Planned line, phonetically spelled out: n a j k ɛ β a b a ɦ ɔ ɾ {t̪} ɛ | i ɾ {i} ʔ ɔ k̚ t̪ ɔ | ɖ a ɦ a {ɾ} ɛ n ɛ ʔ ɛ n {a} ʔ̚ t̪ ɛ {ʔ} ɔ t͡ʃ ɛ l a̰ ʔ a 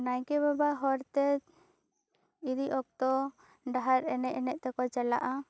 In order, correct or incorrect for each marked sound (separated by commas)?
correct, correct, correct, incorrect, incorrect